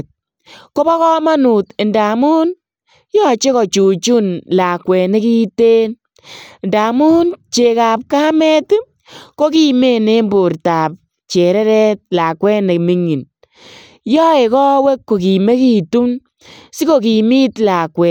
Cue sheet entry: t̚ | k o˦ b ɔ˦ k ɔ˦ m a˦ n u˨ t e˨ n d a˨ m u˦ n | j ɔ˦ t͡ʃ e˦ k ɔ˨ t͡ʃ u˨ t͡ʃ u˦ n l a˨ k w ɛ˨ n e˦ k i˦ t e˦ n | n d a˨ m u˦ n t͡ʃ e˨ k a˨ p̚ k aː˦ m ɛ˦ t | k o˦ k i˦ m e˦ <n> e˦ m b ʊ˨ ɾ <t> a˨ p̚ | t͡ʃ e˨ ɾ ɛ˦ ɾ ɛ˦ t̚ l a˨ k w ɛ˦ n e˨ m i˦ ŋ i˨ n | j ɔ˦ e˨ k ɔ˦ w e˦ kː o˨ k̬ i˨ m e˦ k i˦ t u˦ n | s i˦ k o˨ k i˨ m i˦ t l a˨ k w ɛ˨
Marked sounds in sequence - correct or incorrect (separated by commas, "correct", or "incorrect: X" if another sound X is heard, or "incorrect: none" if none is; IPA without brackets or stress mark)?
correct, correct